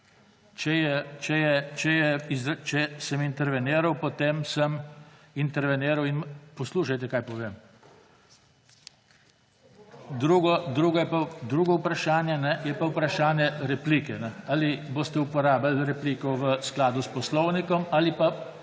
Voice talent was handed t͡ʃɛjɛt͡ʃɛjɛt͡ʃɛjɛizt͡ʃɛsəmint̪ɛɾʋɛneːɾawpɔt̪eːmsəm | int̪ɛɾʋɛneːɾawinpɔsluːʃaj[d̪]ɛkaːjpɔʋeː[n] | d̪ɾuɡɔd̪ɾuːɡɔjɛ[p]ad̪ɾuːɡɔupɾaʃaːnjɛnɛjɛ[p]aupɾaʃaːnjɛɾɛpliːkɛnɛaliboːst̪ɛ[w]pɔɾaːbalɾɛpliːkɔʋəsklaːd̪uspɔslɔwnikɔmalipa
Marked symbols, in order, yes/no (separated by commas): no, no, yes, yes, no